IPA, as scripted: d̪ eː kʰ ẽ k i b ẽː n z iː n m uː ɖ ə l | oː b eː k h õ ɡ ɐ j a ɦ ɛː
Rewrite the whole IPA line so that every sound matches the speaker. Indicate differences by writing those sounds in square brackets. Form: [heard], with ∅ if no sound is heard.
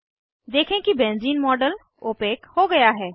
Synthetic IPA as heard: d̪ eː kʰ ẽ k i b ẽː n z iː n m [ɔː] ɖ ə l | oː [p] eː k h [o] ɡ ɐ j a ɦ ɛː

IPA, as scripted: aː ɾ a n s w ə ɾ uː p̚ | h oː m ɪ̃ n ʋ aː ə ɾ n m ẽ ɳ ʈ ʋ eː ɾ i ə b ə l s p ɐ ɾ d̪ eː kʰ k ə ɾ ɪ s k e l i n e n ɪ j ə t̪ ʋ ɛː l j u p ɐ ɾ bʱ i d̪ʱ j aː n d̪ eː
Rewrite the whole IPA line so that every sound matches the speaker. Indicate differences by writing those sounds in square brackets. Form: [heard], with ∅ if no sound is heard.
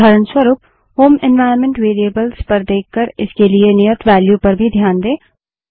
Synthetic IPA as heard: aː ɾ [ə] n s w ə ɾ uː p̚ | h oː m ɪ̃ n ʋ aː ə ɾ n m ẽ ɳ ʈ ʋ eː ɾ i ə b ə l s p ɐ ɾ d̪ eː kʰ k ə ɾ ɪ s k e l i [∅] e n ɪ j ə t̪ ʋ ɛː l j u p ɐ ɾ bʱ i d̪ʱ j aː n d̪ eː

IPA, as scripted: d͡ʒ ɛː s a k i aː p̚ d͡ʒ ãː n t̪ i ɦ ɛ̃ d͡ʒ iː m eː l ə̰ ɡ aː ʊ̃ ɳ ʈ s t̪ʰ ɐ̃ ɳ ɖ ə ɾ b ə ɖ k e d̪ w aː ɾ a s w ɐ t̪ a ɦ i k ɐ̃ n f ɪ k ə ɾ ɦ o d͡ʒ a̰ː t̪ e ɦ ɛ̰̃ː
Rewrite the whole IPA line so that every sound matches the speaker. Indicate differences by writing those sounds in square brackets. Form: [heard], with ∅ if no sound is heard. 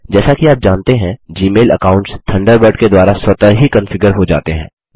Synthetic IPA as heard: d͡ʒ ɛː s a k i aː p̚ d͡ʒ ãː n t̪ [e] ɦ ɛ̃ d͡ʒ iː m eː l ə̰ [k] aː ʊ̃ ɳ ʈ s t̪ʰ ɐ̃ ɳ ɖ ə ɾ b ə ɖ k e d̪ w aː ɾ a s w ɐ t̪ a ɦ i k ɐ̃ n f ɪ [ɡ] ə ɾ ɦ o d͡ʒ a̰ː t̪ e ɦ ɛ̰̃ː

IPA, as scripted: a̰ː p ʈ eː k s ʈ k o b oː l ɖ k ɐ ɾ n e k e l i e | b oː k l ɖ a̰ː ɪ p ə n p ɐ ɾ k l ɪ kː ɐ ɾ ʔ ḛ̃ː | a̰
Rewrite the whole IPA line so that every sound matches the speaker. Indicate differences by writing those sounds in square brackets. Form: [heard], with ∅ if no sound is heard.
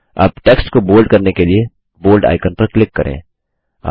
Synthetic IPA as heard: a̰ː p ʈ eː k s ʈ k o b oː l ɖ k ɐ ɾ n e k e l i e | b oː [∅] l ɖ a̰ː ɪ [k] ə n p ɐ ɾ k l ɪ kː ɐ ɾ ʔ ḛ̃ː | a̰

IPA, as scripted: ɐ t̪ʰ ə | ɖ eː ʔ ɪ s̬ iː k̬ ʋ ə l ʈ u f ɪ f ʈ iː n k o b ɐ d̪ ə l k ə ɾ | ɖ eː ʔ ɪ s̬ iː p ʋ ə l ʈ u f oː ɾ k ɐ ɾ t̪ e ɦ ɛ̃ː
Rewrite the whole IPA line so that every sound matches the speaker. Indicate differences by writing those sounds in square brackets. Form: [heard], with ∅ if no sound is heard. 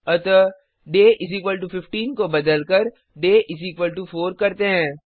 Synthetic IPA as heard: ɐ [t̪] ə | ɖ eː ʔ ɪ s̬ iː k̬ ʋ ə l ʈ u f ɪ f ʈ iː n k o b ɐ d̪ ə l k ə ɾ | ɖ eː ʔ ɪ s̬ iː [k] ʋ ə l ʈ u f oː ɾ k ɐ ɾ t̪ e ɦ ɛ̃ː

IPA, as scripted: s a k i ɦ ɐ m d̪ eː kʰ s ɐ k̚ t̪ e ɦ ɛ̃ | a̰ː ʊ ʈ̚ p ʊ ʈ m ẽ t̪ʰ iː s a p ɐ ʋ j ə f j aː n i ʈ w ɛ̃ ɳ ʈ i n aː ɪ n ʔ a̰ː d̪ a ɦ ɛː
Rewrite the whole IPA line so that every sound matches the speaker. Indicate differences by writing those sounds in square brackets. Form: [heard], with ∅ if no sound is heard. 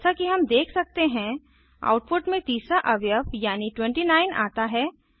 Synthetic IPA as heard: s a k i ɦ ɐ m d̪ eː kʰ s ɐ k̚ t̪ e ɦ ɛ̃ | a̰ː ʊ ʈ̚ p ʊ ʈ m ẽ [t̪] iː s a [ʔ] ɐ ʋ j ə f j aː n i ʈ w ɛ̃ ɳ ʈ i n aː ɪ n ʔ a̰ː [t̪] a ɦ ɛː

